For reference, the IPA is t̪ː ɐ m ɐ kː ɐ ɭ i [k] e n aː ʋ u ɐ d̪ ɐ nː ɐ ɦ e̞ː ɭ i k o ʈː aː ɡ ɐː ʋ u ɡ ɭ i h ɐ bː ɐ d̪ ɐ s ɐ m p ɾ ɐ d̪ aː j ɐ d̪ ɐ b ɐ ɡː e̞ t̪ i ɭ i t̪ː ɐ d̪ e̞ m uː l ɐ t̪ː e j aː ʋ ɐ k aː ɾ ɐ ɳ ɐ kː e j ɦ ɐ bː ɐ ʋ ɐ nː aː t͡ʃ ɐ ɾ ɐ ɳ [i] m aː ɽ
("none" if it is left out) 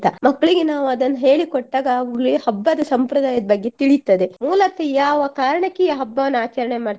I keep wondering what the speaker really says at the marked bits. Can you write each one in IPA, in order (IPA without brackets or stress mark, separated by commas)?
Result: ɡ, e